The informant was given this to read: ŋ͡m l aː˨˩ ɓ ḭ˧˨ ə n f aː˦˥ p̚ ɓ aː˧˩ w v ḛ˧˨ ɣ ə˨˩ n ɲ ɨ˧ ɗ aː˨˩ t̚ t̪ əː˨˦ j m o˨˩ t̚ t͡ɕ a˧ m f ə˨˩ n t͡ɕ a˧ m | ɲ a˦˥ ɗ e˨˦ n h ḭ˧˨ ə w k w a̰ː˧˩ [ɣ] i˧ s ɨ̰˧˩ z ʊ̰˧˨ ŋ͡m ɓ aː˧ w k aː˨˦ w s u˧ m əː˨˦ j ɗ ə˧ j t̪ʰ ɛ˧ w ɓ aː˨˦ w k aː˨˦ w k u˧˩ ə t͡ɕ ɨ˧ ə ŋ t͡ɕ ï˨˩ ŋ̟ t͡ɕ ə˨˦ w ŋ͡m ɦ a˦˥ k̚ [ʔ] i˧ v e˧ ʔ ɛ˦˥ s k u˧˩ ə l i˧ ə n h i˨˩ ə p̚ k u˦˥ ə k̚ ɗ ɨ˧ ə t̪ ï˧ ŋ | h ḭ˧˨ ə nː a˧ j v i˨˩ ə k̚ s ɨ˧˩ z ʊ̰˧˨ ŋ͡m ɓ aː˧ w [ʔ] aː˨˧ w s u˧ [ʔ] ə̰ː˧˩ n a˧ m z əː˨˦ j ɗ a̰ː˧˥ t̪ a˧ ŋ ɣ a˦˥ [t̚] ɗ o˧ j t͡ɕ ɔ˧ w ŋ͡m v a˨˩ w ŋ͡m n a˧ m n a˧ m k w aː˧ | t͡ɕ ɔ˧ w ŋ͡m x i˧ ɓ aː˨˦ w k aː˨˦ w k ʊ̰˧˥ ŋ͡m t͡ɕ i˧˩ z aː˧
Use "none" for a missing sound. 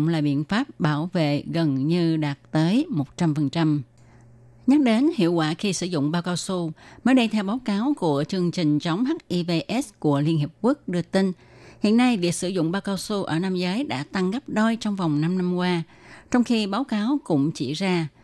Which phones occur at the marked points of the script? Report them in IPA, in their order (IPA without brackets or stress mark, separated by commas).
x, ʔ, k, ʔ, p̚